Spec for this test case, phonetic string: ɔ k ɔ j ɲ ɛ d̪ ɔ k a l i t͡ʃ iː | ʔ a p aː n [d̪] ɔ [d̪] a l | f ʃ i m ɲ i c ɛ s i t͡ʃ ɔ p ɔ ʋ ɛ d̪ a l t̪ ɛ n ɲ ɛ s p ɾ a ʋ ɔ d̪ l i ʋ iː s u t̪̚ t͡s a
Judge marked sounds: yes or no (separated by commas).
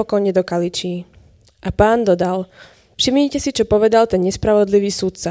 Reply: yes, yes